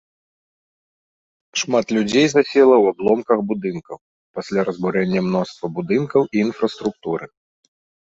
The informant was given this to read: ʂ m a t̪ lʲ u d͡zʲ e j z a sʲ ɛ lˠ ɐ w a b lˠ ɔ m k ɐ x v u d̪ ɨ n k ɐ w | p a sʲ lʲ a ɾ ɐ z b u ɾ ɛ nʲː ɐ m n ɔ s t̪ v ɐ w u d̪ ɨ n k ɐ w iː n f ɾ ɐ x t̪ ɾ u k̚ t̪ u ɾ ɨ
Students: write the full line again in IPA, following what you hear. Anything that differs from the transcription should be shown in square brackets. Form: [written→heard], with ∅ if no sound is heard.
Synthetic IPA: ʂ m a t̪ lʲ u d͡zʲ e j z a sʲ ɛ lˠ ɐ w a b lˠ ɔ m k ɐ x [v→b] u d̪ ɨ n k ɐ w | p a sʲ lʲ a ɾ ɐ z b u ɾ ɛ nʲː ɐ m n ɔ s t̪ v ɐ [w→b] u d̪ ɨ n k ɐ w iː n f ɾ ɐ [x→s] t̪ ɾ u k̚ t̪ u ɾ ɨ

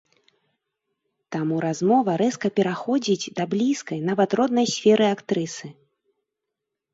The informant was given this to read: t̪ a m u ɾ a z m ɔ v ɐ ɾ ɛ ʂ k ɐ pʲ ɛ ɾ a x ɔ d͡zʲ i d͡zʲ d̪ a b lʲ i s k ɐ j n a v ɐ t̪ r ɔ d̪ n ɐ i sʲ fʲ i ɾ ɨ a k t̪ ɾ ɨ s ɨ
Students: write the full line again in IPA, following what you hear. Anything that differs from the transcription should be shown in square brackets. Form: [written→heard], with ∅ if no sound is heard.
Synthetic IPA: t̪ a m u ɾ a z m ɔ v ɐ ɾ ɛ [ʂ→s] k ɐ pʲ ɛ ɾ a x ɔ d͡zʲ i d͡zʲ d̪ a b lʲ i s k ɐ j n a v ɐ t̪ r ɔ d̪ n ɐ [i→j] sʲ fʲ [i→ɛ] ɾ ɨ a k t̪ ɾ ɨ s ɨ

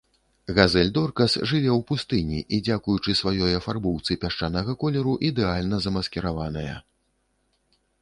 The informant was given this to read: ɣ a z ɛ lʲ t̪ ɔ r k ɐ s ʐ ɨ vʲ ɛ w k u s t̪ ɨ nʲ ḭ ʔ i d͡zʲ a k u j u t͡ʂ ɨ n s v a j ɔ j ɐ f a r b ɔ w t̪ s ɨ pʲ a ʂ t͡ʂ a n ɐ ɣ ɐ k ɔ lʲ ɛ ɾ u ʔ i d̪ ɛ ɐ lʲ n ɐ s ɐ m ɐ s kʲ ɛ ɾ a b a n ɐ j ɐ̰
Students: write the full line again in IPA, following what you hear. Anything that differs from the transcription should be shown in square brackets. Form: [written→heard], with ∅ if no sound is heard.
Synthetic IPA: ɣ a z ɛ lʲ [t̪→d̪] ɔ r k ɐ s ʐ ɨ vʲ ɛ w [k→p] u s t̪ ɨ nʲ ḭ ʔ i d͡zʲ a k u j u t͡ʂ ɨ [n→∅] s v a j ɔ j ɐ f a r b ɔ w t̪ s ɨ pʲ a ʂ t͡ʂ a n ɐ ɣ ɐ k ɔ lʲ ɛ ɾ u ʔ i d̪ ɛ [ɐ→a] lʲ n ɐ [s→z] ɐ m ɐ s kʲ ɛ ɾ a [b→v] a n ɐ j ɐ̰

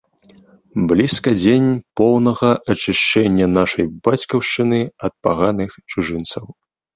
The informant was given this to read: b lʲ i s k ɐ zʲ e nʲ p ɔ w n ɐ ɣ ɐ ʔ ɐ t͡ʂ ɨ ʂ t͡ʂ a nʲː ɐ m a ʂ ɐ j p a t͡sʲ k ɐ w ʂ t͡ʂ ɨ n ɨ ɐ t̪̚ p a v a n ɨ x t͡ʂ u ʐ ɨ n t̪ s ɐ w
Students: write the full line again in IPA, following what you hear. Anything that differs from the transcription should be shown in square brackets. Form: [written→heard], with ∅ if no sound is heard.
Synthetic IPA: b lʲ i s k ɐ [zʲ→d͡zʲ] e nʲ p ɔ w n ɐ ɣ ɐ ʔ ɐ t͡ʂ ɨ ʂ t͡ʂ [a→ɛ] nʲː ɐ [m→n] a ʂ ɐ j [p→b] a t͡sʲ k ɐ w ʂ t͡ʂ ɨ n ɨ ɐ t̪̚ p a [v→ɣ] a n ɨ x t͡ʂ u ʐ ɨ n t̪ s ɐ w

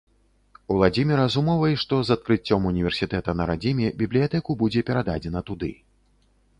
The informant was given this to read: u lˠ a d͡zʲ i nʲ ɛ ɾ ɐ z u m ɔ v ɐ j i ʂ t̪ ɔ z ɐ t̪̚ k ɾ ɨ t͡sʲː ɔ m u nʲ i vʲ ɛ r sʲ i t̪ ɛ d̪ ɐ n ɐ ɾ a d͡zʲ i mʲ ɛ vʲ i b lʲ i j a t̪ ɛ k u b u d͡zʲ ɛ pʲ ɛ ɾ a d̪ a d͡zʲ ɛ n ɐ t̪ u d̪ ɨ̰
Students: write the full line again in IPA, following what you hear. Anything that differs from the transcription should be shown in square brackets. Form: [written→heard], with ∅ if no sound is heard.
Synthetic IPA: u lˠ a d͡zʲ i [nʲ→mʲ] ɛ ɾ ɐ z u m ɔ v ɐ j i ʂ t̪ ɔ z ɐ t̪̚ k ɾ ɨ t͡sʲː ɔ m u nʲ i vʲ ɛ r sʲ i t̪ ɛ [d̪→t̪] ɐ n ɐ ɾ a d͡zʲ i mʲ ɛ [vʲ→bʲ] i b lʲ i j a t̪ ɛ k u b u d͡zʲ ɛ pʲ ɛ ɾ a d̪ a d͡zʲ ɛ n ɐ t̪ u d̪ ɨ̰

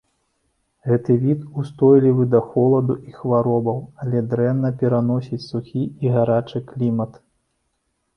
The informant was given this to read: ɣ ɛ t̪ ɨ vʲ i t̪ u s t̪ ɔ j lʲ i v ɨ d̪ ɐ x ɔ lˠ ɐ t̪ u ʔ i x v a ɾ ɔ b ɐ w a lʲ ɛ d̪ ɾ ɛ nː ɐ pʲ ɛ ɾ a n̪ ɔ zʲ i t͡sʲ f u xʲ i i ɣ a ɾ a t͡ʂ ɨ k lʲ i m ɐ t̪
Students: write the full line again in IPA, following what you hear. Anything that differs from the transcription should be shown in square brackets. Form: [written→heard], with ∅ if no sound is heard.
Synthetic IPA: ɣ ɛ t̪ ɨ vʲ i t̪ u s t̪ ɔ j lʲ i v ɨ d̪ ɐ x ɔ lˠ ɐ [t̪→d̪] u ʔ i x v a ɾ ɔ b ɐ w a lʲ ɛ d̪ ɾ ɛ nː ɐ pʲ ɛ ɾ a n̪ ɔ [zʲ→sʲ] i t͡sʲ [f→s] u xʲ i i ɣ a ɾ a t͡ʂ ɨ k lʲ i m ɐ t̪

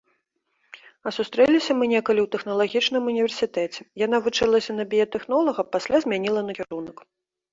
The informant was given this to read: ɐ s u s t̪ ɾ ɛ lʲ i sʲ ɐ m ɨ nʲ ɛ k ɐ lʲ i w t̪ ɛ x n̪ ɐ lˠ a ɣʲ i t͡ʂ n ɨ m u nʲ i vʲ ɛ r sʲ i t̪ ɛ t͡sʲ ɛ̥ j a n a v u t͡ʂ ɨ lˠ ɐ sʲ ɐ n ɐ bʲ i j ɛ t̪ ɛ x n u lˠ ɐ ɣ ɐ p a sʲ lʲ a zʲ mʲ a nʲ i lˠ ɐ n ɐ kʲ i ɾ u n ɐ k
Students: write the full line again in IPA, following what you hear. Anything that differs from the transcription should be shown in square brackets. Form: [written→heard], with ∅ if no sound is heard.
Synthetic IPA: ɐ s u s t̪ ɾ ɛ lʲ i sʲ ɐ m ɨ nʲ ɛ k ɐ lʲ i w t̪ ɛ x n̪ ɐ lˠ a ɣʲ i t͡ʂ n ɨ m u nʲ i vʲ ɛ r sʲ i t̪ ɛ t͡sʲ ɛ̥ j a n a v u t͡ʂ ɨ lˠ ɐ sʲ ɐ n ɐ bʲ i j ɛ t̪ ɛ x n [u→ɔ] lˠ ɐ ɣ ɐ p a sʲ lʲ a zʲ mʲ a nʲ i lˠ ɐ n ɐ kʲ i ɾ u n ɐ k

